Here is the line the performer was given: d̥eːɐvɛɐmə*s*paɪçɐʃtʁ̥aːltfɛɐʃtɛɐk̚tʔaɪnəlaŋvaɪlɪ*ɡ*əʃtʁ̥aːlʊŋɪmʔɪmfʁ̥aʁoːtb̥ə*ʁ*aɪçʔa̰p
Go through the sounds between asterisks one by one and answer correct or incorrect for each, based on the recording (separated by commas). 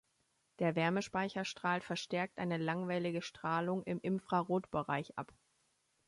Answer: incorrect, correct, correct